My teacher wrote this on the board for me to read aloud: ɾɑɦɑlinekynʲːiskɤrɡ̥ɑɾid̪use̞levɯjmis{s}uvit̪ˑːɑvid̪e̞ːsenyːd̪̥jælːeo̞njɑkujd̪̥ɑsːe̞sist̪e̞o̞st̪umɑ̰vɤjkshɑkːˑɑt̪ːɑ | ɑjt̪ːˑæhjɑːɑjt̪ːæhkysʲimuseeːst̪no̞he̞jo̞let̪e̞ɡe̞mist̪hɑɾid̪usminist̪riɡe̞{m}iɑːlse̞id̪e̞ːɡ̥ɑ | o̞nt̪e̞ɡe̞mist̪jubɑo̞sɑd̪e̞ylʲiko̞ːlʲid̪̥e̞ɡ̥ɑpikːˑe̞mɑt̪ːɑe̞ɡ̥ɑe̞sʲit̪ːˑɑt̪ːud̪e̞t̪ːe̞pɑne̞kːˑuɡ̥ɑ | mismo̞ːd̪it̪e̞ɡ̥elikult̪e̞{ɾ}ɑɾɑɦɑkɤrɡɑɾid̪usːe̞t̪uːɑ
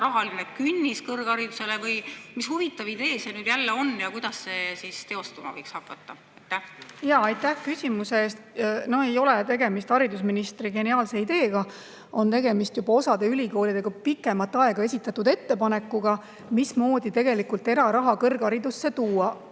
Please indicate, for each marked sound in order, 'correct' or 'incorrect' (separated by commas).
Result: incorrect, incorrect, correct